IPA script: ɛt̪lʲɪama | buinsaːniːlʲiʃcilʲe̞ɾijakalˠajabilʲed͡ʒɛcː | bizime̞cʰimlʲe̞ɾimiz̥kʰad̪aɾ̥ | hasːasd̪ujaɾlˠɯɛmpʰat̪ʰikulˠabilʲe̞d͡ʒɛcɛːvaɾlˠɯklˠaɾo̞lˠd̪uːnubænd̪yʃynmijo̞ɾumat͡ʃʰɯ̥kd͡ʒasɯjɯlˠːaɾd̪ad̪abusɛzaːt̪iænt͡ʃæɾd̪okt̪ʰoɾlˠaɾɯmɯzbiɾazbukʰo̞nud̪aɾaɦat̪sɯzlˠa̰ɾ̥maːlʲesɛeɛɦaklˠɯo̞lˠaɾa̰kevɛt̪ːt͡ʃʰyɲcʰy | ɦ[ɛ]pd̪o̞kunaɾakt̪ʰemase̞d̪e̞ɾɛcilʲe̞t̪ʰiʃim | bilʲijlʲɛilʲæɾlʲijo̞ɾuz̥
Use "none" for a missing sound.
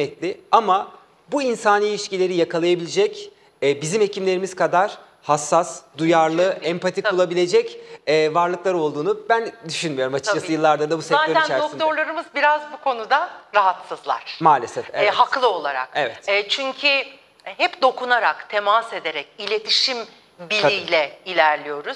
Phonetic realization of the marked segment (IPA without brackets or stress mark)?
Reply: ɛ